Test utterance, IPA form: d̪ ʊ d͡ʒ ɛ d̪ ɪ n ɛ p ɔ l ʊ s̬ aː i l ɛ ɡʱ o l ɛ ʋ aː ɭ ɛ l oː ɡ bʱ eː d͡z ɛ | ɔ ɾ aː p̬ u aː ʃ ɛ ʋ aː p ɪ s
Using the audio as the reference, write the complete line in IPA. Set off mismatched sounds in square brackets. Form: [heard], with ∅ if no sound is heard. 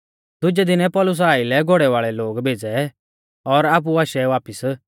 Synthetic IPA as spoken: d̪ ʊ d͡ʒ ɛ d̪ ɪ n ɛ p ɔ l ʊ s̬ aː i l ɛ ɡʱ o [ɽ] ɛ ʋ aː ɭ ɛ l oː ɡ bʱ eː d͡z ɛ | ɔ ɾ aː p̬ u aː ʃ ɛ ʋ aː p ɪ s